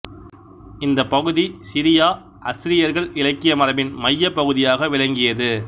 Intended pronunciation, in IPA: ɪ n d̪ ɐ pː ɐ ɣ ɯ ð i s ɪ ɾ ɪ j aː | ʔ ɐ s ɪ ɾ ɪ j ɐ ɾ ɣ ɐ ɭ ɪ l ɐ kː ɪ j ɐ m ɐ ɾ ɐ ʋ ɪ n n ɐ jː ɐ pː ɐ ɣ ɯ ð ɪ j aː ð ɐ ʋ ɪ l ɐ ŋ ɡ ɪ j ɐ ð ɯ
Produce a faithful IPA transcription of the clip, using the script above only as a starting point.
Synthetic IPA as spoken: ɪ n d̪ ɐ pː ɐ ɣ ɯ ð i s ɪ ɾ ɪ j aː | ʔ ɐ s ɪ ɾ ɪ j ɐ ɾ ɣ ɐ ɭ ɪ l ɐ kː ɪ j ɐ m ɐ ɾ ɐ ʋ ɪ n m ɐ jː ɐ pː ɐ ɣ ɯ ð ɪ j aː ɣ ɐ ʋ ɪ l ɐ ŋ ɡ ɪ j ɐ ð ɯ